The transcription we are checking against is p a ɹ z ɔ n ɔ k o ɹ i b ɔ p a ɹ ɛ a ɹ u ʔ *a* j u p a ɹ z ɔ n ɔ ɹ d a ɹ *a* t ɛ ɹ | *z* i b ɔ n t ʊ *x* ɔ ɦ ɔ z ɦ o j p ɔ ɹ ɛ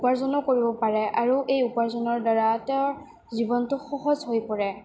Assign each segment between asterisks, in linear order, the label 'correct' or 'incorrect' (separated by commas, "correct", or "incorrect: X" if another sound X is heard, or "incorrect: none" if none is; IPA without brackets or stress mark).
incorrect: e, correct, correct, correct